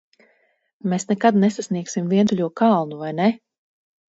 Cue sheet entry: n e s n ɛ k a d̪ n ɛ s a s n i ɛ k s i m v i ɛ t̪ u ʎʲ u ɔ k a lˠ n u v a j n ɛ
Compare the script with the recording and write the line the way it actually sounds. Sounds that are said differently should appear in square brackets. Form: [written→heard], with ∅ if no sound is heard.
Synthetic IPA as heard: [n→m] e s n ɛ k a d̪ n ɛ s a s n i ɛ k s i m v i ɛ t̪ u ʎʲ u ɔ k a lˠ n u v a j n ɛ